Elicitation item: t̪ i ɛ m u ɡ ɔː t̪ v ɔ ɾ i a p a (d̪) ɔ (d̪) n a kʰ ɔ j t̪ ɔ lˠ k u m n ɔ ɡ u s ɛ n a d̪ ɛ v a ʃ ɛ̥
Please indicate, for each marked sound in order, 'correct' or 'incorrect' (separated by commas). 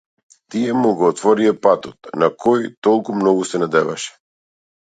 incorrect, incorrect